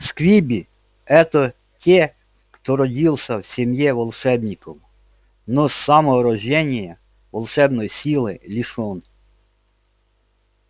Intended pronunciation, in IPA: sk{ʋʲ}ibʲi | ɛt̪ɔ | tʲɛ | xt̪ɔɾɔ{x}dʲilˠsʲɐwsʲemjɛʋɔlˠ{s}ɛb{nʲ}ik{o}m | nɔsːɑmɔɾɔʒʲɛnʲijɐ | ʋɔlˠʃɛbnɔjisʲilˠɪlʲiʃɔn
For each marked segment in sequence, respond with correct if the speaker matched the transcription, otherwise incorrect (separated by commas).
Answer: correct, incorrect, incorrect, correct, incorrect